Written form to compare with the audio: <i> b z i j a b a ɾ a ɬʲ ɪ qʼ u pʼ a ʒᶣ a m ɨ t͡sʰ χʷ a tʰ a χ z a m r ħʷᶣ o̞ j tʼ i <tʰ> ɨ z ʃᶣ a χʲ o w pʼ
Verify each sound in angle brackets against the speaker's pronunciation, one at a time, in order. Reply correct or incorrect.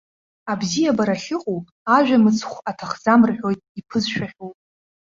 incorrect, incorrect

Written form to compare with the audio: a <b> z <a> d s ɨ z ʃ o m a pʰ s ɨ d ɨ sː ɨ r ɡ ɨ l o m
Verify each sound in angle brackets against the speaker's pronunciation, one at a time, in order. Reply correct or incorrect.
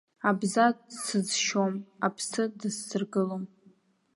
correct, correct

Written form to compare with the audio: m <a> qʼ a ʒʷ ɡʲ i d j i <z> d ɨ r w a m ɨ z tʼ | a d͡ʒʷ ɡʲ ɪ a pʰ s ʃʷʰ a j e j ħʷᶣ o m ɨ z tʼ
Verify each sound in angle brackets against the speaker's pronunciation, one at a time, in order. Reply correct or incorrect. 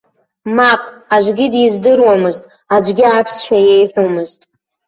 correct, correct

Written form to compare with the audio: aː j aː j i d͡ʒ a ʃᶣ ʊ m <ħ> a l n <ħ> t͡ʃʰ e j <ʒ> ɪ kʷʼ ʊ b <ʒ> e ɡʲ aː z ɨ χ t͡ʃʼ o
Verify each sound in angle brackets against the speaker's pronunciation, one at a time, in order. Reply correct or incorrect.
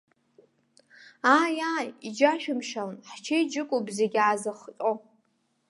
incorrect, correct, incorrect, incorrect

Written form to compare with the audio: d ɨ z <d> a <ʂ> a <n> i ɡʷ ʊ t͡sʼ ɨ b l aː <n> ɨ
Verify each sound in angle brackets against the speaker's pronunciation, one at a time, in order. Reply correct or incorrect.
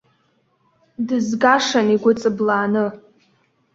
incorrect, correct, correct, correct

